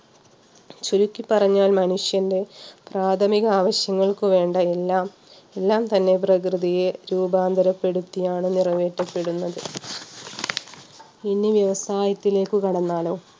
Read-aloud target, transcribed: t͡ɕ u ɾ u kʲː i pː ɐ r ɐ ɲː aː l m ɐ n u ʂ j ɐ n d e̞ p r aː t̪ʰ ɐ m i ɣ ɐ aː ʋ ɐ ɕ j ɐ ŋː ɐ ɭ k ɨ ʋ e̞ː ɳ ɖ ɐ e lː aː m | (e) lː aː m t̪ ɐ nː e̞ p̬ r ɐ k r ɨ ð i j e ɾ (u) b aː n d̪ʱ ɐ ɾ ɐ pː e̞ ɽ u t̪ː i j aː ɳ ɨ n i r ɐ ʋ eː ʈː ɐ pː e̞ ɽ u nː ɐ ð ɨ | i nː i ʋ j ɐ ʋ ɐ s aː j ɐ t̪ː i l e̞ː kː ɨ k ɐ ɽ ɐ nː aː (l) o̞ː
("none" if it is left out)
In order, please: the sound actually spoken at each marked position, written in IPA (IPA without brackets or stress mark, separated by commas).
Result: e, uː, l